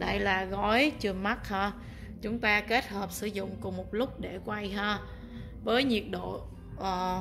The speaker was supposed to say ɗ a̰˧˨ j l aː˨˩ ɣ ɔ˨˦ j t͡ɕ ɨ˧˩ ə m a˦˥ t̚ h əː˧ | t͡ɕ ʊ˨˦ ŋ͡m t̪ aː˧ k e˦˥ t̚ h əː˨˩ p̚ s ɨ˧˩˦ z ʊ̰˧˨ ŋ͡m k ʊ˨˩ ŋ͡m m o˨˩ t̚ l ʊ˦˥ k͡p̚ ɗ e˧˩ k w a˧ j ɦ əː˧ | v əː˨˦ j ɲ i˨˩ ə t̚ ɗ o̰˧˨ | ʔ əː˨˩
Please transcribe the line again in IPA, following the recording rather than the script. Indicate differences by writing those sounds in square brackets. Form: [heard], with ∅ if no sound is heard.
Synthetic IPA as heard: ɗ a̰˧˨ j l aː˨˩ ɣ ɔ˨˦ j t͡ɕ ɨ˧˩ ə m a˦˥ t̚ h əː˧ | t͡ɕ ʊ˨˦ ŋ͡m t̪ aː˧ k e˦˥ t̚ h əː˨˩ p̚ s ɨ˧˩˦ z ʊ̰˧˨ ŋ͡m k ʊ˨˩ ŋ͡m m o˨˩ t̚ l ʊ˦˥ k͡p̚ ɗ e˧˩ k w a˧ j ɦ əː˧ | v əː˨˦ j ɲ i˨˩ ə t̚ ɗ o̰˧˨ | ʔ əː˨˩

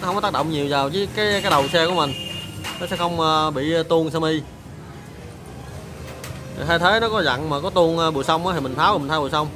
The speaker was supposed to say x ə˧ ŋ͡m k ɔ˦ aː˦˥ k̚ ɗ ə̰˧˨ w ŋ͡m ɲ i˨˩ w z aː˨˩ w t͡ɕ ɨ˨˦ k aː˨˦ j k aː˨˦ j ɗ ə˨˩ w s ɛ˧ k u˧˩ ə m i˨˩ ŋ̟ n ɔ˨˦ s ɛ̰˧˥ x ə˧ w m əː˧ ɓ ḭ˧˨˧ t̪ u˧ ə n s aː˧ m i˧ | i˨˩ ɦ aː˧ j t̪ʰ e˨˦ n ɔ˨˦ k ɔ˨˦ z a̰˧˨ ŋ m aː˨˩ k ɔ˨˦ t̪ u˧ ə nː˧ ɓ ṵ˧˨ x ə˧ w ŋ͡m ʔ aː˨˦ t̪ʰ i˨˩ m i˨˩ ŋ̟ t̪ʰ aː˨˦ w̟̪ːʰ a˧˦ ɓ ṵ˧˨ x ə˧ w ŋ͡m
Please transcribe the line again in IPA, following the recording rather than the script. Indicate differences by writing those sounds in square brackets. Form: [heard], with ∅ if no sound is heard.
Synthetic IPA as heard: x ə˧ ŋ͡m k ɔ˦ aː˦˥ k̚ ɗ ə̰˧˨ w ŋ͡m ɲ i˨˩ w z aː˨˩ w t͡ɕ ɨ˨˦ k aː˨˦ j k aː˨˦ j ɗ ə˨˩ w s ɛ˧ k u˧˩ ə m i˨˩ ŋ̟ n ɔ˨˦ s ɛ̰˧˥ x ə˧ w [ŋ͡m] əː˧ ɓ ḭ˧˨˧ t̪ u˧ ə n s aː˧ m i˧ | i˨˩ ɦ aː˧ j t̪ʰ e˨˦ n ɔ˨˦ k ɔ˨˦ z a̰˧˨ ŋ m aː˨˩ k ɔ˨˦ t̪ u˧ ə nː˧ ɓ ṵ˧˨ [s] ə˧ w ŋ͡m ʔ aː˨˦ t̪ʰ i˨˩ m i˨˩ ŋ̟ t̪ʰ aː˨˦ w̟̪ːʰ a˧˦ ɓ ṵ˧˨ [s] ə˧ w ŋ͡m

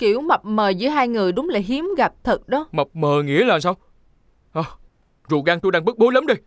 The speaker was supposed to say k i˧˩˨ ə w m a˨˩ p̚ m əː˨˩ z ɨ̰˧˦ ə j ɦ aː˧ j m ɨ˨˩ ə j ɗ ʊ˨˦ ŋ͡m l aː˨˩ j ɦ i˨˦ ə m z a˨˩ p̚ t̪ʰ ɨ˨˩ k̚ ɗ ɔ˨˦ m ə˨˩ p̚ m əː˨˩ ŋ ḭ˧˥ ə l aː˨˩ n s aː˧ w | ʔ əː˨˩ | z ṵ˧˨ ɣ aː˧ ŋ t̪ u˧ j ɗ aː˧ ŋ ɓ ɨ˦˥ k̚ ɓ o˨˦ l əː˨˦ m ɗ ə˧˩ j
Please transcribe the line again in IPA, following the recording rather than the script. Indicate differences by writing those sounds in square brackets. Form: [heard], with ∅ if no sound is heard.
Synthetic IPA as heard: k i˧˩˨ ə w m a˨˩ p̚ m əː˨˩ z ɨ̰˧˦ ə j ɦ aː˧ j [ŋ] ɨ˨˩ ə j ɗ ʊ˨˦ ŋ͡m l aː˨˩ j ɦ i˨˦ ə m [ɣ] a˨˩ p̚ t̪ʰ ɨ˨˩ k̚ ɗ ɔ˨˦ m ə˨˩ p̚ m əː˨˩ ŋ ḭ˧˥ ə l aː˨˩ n s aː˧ w | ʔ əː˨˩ | z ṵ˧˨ ɣ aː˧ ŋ t̪ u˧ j ɗ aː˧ ŋ ɓ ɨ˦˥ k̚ ɓ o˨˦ l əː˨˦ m ɗ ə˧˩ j

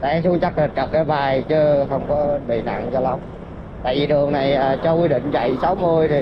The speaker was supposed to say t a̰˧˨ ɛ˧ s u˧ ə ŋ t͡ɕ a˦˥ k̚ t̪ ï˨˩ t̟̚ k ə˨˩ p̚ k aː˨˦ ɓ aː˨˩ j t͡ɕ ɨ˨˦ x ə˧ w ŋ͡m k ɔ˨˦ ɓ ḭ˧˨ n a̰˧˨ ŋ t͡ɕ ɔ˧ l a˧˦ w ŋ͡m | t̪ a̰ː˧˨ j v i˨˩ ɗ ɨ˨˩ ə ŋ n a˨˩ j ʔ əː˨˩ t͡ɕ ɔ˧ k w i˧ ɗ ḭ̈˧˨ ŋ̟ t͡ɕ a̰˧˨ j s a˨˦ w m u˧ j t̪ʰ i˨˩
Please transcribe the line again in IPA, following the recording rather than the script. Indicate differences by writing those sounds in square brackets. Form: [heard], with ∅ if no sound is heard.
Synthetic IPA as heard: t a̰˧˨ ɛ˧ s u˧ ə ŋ t͡ɕ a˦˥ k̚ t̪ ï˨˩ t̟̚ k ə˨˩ p̚ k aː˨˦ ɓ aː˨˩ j t͡ɕ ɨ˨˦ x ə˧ w ŋ͡m k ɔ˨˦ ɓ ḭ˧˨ n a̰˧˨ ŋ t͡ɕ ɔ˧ l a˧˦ w ŋ͡m | t̪ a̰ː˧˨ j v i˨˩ ɗ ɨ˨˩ ə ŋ n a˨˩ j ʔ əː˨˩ t͡ɕ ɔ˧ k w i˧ ɗ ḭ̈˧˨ ŋ̟ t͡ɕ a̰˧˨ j s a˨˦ w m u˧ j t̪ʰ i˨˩

